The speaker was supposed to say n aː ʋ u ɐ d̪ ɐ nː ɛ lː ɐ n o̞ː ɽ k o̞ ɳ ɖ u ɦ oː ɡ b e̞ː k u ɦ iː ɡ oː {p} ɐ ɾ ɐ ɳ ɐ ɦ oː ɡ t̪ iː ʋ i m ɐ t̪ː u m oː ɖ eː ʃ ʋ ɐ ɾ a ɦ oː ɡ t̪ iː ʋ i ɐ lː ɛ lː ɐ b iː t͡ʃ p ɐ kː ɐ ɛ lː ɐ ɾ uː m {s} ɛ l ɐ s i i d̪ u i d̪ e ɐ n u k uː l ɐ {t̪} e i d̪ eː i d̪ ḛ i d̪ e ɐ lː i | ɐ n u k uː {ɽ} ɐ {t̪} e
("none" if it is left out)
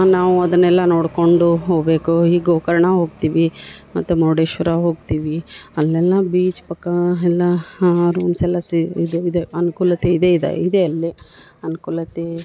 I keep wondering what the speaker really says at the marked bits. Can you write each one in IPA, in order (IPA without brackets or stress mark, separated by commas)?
k, s, t̪, l, t̪